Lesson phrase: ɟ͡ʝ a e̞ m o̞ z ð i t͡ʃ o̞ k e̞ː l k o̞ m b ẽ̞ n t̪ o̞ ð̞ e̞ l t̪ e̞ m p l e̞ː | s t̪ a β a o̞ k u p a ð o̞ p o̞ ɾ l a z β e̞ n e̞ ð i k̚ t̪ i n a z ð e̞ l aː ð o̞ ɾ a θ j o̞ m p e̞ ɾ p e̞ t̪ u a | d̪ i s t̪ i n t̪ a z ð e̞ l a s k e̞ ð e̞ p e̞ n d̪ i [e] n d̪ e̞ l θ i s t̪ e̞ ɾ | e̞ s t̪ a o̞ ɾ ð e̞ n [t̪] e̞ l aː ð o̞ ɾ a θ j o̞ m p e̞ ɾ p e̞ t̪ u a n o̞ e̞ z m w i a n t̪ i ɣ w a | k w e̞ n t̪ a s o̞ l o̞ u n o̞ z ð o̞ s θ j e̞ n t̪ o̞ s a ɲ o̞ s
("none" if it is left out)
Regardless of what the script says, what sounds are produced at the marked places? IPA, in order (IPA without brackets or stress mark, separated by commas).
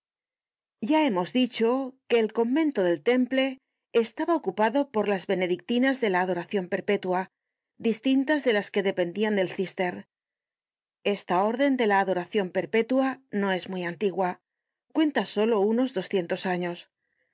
a, d̪